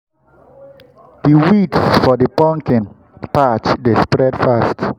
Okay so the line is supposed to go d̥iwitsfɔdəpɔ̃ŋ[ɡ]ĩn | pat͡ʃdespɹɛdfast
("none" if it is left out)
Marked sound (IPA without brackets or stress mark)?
k